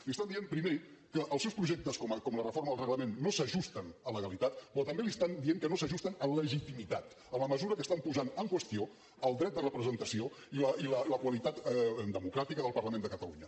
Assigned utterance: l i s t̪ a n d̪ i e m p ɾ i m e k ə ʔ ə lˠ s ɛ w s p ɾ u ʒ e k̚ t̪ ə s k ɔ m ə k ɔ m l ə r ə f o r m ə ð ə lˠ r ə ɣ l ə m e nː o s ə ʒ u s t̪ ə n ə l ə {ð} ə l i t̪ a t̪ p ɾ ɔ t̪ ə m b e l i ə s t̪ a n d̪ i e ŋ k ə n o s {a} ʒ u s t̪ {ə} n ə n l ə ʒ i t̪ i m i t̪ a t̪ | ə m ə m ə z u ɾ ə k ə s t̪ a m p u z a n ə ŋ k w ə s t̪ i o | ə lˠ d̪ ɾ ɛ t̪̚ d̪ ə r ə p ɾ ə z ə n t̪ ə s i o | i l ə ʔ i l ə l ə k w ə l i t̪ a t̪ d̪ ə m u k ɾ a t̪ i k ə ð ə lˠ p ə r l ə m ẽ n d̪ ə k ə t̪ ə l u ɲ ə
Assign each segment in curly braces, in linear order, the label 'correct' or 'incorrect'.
incorrect: ɣ, incorrect: ə, correct

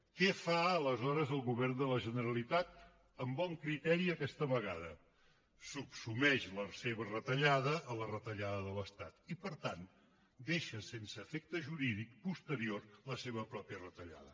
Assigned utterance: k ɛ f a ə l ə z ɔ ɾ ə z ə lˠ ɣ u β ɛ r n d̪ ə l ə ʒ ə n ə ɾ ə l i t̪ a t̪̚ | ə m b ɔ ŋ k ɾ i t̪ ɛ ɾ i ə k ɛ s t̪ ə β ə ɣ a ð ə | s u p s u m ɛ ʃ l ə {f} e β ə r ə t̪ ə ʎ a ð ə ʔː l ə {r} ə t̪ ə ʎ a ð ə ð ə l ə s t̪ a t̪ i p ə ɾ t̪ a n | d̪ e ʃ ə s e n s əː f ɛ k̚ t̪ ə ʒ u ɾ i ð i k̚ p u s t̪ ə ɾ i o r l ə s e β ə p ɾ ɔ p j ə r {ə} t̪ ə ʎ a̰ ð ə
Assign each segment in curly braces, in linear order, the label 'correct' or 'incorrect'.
incorrect: s, correct, correct

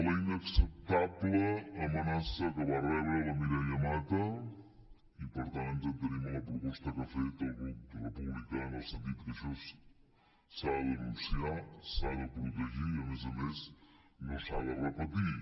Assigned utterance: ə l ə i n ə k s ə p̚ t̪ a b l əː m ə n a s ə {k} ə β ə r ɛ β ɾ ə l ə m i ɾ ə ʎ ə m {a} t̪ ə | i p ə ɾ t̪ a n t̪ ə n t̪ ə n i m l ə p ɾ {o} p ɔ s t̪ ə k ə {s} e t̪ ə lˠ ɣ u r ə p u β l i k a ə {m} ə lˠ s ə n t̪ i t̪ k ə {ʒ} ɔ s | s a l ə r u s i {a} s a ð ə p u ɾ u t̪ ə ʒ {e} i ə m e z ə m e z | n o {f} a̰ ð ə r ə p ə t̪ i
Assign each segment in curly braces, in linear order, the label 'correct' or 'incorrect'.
correct, correct, incorrect: u, incorrect: f, incorrect: n, incorrect: ʃ, correct, incorrect: i, incorrect: s

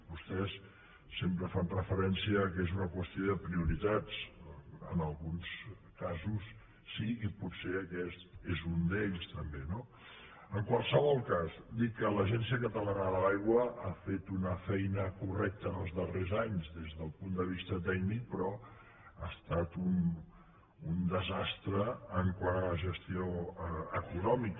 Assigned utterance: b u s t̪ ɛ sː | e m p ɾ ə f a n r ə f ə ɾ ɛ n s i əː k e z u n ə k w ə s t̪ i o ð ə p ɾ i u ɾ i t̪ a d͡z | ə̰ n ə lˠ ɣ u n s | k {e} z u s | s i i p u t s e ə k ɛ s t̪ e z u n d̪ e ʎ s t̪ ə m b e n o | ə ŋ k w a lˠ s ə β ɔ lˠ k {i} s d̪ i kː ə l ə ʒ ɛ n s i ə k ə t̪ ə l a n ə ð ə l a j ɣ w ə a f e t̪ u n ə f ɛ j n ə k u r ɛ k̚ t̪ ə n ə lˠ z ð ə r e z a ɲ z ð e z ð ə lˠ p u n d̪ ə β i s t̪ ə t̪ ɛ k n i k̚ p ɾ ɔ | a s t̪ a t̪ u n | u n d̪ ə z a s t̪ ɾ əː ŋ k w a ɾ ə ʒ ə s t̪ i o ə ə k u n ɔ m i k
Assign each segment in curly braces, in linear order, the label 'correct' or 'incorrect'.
incorrect: a, incorrect: a

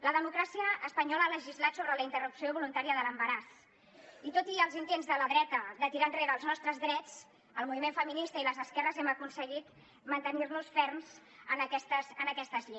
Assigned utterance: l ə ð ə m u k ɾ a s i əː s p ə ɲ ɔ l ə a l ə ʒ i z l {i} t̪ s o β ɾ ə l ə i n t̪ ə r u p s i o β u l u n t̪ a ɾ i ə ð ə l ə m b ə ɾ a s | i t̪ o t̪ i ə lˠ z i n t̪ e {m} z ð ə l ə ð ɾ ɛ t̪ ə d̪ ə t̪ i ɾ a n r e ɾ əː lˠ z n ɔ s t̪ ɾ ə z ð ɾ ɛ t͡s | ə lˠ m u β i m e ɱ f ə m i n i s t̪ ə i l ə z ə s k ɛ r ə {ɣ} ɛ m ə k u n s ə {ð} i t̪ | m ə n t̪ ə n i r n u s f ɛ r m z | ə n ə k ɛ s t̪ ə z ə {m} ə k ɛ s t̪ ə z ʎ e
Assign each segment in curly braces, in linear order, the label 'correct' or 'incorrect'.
incorrect: a, incorrect: n, incorrect: z, incorrect: ɣ, incorrect: n

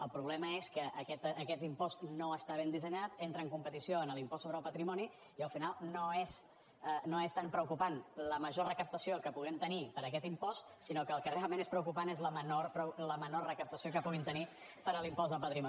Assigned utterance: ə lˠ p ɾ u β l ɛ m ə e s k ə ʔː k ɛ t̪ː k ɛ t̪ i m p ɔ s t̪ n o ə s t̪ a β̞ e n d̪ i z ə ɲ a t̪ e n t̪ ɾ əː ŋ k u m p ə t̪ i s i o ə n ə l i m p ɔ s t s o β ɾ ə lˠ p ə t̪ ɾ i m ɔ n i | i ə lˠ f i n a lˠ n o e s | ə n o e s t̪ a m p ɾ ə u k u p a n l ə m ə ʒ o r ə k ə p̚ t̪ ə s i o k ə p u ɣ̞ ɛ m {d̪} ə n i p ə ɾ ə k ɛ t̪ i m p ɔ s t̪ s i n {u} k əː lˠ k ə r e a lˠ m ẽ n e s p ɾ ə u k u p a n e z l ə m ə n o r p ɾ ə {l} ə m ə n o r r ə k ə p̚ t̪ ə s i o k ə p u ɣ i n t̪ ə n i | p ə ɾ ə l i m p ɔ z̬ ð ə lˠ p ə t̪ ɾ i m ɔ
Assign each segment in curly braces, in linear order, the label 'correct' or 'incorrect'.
incorrect: t̪, incorrect: o, correct

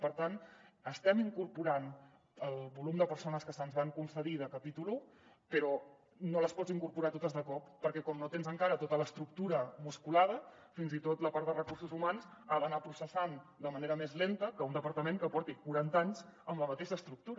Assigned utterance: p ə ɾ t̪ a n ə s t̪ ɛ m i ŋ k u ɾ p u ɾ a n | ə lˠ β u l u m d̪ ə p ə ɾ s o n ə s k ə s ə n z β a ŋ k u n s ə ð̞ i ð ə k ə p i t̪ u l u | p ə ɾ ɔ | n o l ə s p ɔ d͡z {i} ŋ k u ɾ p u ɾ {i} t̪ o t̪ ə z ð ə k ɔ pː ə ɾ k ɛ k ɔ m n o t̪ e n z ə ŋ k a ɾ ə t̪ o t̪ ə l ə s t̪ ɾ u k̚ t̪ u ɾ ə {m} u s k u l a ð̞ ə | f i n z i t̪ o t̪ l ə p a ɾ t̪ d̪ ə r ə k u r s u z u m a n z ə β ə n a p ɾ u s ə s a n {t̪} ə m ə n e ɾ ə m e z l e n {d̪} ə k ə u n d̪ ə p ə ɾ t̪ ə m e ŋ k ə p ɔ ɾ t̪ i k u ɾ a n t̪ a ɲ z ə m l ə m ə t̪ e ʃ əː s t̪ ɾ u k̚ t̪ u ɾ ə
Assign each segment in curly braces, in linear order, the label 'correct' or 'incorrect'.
correct, incorrect: a, correct, incorrect: d̪, incorrect: t̪

